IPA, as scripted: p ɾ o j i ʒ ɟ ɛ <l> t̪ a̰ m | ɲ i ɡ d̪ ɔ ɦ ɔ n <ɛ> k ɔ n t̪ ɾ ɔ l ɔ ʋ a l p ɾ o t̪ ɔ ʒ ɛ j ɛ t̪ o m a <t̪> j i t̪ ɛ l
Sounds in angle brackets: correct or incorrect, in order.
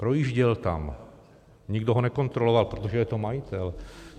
correct, correct, incorrect

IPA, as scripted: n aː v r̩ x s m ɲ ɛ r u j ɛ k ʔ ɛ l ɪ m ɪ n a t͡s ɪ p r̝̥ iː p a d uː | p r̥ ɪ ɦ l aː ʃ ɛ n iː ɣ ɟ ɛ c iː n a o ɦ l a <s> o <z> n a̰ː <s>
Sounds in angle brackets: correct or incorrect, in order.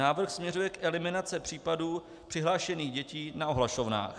incorrect, incorrect, incorrect

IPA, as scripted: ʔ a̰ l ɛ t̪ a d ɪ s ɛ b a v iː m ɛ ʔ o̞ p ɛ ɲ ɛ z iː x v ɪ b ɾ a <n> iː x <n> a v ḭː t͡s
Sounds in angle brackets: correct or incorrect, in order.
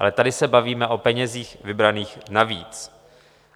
correct, correct

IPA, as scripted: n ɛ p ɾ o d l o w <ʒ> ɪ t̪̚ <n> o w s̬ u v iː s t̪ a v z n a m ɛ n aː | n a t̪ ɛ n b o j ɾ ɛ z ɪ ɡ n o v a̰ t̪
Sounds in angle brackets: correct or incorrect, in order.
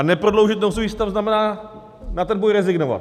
correct, correct

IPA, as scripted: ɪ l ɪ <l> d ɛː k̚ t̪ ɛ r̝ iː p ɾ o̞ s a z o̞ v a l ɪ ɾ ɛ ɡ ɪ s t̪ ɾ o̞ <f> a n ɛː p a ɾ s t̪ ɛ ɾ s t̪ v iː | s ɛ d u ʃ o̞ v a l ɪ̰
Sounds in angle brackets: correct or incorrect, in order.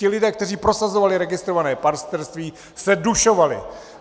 incorrect, incorrect

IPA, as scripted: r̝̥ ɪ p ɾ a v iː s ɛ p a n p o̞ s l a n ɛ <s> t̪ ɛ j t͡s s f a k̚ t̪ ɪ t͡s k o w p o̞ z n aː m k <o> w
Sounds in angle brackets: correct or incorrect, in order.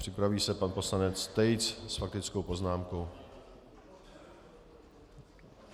incorrect, correct

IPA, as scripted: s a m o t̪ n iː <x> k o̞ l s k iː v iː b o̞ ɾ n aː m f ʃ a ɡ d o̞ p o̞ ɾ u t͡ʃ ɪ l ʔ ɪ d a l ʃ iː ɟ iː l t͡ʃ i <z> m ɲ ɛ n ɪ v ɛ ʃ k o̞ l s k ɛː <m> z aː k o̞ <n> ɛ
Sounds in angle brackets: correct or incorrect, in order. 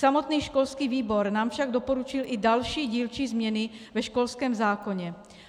incorrect, correct, correct, incorrect

